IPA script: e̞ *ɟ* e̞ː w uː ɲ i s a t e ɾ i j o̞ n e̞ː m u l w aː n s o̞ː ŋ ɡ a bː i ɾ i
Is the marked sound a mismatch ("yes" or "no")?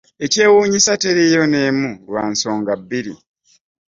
yes